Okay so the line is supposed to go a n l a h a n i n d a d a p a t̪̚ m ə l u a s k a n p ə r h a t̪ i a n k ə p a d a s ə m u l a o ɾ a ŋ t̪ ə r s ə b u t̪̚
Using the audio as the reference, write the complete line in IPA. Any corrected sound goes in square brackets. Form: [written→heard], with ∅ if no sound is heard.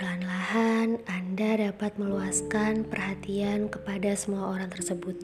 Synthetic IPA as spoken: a n l a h a n [i→a] n d a d a p a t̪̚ m ə l u a s k a n p ə r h a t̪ i a n k ə p a d a s ə m u [l→∅] a o ɾ a ŋ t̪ ə r s ə b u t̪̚